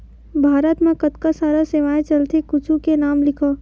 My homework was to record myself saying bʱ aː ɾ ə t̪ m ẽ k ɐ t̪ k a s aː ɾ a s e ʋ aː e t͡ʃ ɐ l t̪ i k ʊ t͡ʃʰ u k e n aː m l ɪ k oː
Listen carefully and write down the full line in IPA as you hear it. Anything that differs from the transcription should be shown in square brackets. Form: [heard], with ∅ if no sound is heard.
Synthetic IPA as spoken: bʱ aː ɾ ə t̪ m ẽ k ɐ t̪ k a s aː ɾ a s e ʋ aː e t͡ʃ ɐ l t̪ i k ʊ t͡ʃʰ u k e n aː m l ɪ [kʰ] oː